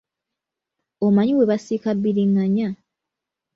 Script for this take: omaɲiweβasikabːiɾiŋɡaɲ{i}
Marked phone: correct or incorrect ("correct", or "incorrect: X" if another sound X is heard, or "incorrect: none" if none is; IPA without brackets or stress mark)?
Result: incorrect: a